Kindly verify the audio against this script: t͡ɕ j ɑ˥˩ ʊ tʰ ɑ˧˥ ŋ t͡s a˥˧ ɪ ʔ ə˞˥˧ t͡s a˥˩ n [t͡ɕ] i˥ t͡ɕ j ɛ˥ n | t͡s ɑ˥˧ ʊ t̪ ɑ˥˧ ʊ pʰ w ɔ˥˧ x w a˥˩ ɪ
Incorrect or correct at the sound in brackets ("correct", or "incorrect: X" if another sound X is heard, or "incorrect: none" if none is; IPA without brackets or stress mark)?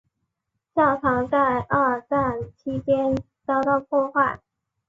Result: incorrect: t͡ɕʰ